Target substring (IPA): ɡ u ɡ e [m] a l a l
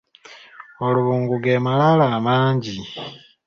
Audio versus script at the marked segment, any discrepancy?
no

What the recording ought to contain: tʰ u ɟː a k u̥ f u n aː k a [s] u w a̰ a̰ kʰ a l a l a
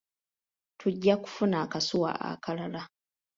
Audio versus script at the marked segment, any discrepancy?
no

